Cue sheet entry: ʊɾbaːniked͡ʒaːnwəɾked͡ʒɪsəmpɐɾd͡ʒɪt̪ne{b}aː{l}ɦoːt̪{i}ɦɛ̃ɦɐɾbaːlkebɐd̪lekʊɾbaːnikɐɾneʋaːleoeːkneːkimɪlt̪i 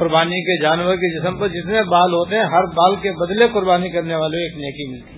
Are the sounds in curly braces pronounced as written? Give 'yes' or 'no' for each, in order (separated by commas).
yes, yes, no